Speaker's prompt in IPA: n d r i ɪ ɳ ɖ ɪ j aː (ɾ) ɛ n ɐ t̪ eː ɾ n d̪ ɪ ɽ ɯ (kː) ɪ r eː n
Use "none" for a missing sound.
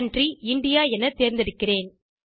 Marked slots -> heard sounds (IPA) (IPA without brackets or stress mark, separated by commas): none, kː